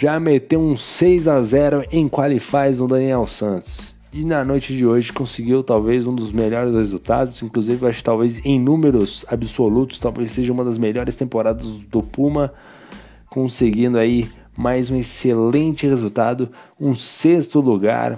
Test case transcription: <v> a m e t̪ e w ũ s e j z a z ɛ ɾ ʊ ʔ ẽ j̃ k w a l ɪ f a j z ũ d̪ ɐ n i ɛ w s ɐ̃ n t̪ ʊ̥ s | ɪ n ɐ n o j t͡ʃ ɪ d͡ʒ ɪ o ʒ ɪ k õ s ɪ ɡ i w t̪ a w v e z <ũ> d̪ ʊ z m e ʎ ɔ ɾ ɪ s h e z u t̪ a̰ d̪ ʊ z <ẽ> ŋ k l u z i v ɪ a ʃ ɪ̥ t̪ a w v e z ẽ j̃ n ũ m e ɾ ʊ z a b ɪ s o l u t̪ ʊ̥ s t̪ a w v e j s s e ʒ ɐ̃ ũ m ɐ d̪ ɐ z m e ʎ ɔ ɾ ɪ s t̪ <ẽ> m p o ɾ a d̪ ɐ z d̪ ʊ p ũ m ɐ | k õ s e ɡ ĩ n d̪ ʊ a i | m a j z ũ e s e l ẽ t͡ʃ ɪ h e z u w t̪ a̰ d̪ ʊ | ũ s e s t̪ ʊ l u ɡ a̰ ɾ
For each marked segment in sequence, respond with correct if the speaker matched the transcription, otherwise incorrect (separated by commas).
incorrect, correct, incorrect, correct